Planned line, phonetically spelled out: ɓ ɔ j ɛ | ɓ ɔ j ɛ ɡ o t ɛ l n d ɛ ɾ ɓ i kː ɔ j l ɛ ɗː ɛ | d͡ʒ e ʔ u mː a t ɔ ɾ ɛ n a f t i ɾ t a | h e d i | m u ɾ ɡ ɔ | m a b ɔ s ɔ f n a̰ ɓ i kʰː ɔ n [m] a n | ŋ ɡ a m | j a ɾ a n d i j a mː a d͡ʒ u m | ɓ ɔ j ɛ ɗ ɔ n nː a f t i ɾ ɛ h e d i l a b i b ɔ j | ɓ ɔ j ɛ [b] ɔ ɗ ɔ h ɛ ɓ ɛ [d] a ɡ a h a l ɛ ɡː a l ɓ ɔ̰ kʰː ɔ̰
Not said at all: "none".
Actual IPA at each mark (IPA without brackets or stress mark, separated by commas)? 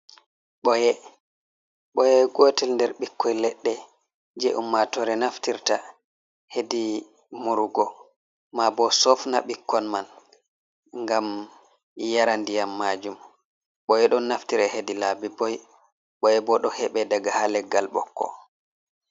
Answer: m, b, d